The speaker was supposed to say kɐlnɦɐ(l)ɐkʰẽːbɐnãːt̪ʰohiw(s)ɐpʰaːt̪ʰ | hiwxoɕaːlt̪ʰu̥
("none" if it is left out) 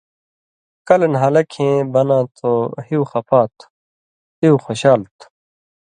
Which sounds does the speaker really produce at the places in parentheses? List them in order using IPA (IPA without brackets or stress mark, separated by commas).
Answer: l, x